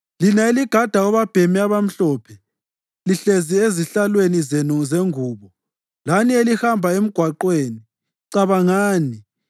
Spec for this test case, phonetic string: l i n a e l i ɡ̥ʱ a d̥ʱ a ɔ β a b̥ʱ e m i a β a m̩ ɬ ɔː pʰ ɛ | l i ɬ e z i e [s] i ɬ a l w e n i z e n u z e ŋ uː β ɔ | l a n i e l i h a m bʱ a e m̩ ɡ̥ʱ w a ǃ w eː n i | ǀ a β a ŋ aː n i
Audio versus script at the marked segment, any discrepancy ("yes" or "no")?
yes